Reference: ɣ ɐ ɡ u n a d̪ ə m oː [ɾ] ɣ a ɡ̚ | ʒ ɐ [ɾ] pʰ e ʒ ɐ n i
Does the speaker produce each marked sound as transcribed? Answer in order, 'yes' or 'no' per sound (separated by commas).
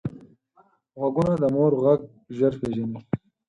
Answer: yes, yes